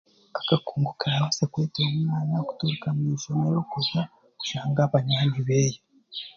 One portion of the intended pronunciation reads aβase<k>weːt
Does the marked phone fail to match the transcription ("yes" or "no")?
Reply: no